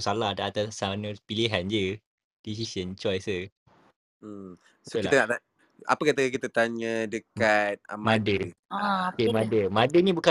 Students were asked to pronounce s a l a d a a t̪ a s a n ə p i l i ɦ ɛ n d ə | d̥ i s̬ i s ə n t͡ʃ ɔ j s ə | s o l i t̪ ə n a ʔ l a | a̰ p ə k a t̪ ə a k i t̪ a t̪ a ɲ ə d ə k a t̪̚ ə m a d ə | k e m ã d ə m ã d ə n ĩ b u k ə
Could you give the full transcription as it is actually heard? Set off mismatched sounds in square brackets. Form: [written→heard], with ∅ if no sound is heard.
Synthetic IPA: s a l a d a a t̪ a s a n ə p i l i ɦ [ɛ→a] n [d→d͡ʒ] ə | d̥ i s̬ i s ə n t͡ʃ ɔ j s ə | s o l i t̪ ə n a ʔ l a | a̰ p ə k a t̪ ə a k i t̪ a t̪ a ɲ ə d ə k a t̪̚ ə m a d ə | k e m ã d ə m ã d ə n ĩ b u k [ə→a]